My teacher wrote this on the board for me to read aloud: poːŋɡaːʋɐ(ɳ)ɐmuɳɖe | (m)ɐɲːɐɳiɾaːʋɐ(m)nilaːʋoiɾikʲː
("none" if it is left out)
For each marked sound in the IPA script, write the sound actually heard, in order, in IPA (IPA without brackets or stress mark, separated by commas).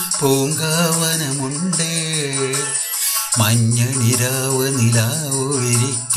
n, m, none